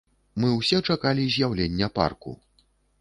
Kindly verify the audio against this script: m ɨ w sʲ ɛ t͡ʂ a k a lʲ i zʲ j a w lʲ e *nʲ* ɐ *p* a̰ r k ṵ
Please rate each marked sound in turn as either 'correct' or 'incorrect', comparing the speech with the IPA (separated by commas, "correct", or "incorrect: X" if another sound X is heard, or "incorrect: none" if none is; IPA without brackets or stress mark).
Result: incorrect: nʲː, correct